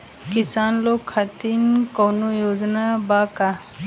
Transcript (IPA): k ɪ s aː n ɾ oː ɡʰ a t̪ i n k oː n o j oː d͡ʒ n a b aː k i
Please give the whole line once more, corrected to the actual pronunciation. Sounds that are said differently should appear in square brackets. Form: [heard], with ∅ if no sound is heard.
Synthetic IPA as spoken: k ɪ s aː n [l] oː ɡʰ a t̪ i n k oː n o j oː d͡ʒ n a b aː k [a]